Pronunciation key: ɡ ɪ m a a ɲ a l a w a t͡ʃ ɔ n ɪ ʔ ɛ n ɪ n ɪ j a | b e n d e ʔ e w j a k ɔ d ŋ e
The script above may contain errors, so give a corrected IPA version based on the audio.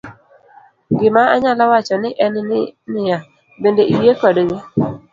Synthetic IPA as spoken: ɡ ɪ m a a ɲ a l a w a t͡ʃ ɔ n ɪ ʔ ɛ n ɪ n ɪ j a | b e n d e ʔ i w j e k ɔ d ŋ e